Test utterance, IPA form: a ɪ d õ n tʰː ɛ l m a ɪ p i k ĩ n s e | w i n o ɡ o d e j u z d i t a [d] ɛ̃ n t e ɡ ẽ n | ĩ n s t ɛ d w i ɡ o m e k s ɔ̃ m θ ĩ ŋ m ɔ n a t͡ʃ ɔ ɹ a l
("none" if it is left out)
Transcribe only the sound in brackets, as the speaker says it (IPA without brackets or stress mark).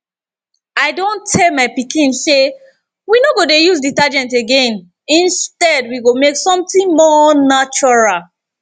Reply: d͡ʒ